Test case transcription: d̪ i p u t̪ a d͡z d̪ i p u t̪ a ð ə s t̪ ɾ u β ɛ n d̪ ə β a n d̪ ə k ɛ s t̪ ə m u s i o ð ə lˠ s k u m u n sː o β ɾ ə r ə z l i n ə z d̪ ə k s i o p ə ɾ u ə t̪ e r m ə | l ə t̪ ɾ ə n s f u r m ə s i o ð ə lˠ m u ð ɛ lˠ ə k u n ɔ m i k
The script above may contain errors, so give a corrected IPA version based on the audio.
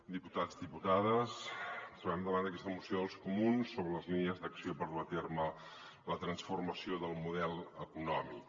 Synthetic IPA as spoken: d̪ i p u t̪ a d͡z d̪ i p u t̪ a ð ə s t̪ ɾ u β ɛ m d̪ ə β a n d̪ ə k ɛ s t̪ ə m u s i o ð ə lˠ s k u m u n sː o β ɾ ə l ə z l i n ə z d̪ ə k s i o p ə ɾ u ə t̪ e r m ə | l ə t̪ ɾ ə n s f u r m ə s i o ð ə lˠ m u ð ɛ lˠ ə k u n ɔ m i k